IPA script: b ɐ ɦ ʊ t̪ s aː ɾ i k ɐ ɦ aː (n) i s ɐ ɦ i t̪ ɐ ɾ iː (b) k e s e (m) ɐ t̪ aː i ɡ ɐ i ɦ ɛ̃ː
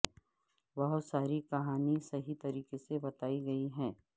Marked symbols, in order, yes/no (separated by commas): yes, no, no